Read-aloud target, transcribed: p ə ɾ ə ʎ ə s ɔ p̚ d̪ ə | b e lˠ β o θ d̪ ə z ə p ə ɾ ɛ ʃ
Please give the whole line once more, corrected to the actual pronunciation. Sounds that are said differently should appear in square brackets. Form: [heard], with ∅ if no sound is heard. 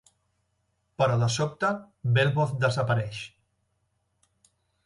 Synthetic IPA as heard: p ə ɾ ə [l] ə s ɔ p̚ [t̪] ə | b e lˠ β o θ d̪ ə z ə p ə ɾ ɛ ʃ